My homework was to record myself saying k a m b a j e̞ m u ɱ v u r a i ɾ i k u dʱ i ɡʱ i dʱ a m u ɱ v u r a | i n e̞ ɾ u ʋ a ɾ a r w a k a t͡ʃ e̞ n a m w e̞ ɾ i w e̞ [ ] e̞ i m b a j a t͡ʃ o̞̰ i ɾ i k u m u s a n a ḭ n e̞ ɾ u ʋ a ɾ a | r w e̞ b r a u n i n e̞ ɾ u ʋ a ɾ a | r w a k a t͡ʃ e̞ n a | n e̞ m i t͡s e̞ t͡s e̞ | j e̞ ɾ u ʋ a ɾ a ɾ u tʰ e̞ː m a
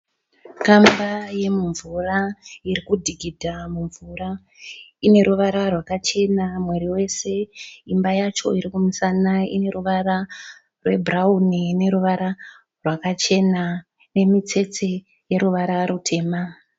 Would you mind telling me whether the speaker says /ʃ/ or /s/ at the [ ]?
s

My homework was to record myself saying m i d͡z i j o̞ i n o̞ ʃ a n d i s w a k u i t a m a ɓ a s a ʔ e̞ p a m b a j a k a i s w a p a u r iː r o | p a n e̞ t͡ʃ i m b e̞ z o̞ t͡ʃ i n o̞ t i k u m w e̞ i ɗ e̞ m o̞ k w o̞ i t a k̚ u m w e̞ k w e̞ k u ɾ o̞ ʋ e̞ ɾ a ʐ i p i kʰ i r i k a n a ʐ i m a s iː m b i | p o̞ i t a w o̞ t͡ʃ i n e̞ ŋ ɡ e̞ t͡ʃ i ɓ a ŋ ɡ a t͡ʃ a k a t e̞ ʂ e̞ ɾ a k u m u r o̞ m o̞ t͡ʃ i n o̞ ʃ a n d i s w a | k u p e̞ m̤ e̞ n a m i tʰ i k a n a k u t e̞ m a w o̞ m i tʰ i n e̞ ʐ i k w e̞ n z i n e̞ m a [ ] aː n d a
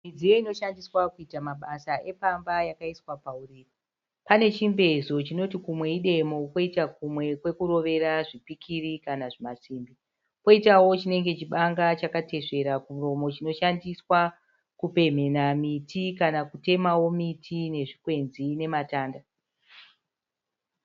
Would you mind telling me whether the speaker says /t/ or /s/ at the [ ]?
t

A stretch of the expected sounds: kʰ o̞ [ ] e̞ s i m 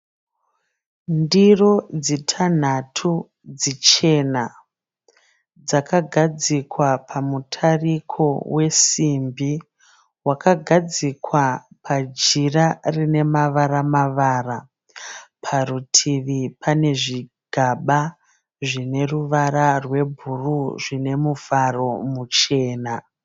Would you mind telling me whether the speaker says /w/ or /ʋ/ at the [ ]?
w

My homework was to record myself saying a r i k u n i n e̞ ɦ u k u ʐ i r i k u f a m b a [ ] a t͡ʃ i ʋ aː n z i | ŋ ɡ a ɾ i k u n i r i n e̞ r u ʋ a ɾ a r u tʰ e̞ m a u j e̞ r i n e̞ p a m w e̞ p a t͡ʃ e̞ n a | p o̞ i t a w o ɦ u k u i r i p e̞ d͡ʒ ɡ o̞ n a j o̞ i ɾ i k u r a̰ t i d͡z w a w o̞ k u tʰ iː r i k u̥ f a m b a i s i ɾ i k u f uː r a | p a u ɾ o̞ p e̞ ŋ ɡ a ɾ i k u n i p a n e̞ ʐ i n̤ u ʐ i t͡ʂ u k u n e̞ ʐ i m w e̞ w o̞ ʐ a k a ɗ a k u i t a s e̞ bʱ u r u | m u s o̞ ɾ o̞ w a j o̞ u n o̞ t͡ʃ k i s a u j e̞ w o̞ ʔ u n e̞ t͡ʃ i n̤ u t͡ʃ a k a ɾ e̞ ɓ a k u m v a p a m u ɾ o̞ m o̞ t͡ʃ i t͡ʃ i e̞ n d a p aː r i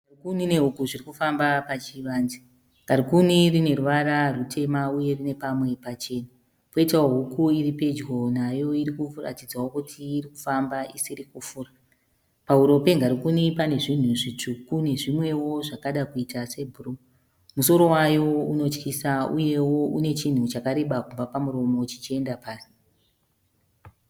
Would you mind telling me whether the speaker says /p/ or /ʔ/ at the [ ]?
p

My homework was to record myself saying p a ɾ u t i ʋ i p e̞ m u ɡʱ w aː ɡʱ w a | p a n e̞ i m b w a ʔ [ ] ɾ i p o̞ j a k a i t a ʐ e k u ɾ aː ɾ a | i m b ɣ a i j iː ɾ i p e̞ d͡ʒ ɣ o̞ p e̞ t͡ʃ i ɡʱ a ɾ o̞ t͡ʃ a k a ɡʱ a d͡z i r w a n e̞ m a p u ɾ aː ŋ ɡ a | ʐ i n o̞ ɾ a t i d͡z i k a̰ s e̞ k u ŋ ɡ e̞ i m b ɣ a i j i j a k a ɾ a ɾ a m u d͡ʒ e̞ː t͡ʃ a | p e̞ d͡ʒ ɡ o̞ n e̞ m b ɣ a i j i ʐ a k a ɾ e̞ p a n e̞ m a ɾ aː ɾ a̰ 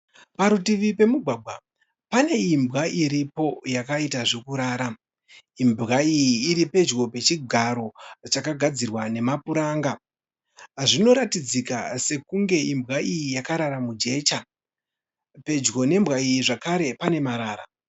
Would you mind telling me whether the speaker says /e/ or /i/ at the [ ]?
i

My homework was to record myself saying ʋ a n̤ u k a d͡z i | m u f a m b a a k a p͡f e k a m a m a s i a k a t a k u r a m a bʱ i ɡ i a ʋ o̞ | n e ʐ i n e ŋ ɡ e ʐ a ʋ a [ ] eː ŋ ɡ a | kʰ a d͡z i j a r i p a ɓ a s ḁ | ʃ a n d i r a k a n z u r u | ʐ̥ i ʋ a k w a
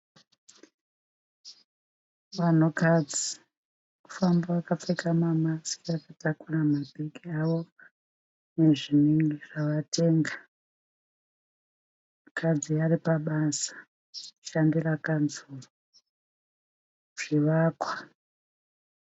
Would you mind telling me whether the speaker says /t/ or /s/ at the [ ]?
t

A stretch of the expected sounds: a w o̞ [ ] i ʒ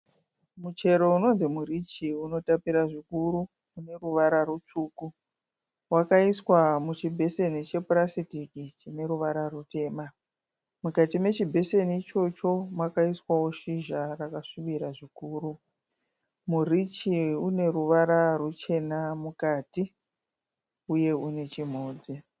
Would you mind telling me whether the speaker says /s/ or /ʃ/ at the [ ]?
ʃ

